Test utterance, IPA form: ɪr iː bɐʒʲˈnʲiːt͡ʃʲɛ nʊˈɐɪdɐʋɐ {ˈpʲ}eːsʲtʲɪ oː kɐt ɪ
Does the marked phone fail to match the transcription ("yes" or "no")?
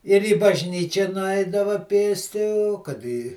no